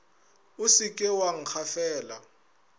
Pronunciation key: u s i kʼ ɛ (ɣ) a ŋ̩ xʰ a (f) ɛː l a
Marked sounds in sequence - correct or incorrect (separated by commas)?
incorrect, correct